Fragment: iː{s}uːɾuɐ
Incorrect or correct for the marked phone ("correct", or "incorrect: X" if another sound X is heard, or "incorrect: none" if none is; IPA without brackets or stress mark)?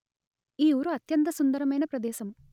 incorrect: none